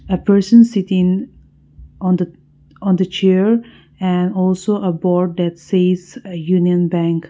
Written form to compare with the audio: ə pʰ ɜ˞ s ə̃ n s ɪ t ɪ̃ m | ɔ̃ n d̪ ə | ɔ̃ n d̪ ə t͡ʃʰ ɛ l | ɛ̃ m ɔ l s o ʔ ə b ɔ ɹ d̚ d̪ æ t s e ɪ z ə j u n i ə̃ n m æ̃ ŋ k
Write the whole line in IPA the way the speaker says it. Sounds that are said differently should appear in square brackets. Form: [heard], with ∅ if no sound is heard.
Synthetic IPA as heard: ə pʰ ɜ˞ s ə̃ n s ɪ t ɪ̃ [ŋ] | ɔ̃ n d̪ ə | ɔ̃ n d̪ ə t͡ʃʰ ɛ [ɹ] | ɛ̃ [n] ɔ l s o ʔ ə b ɔ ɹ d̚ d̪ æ t s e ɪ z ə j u n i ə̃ n [b] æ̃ ŋ k